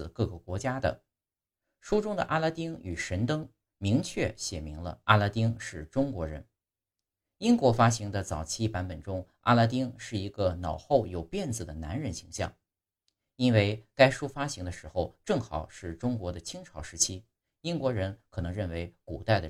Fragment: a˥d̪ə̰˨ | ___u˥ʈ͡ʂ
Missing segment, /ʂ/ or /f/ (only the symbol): ʂ